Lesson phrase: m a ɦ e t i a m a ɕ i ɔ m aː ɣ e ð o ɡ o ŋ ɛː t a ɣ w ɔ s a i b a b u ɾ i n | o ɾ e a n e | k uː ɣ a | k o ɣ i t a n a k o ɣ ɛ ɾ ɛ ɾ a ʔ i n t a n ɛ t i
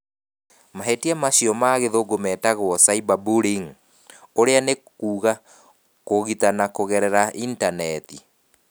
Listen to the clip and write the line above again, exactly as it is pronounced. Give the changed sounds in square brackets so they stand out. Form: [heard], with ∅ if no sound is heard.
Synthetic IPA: m a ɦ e t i a m a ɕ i ɔ m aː ɣ e ð o ɡ o [m] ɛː t a ɣ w ɔ s a i b a b u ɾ i [ŋ] | o ɾ e a n e | k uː ɣ a | k o ɣ i t a n a k o ɣ ɛ ɾ ɛ ɾ a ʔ i n t a n ɛ t i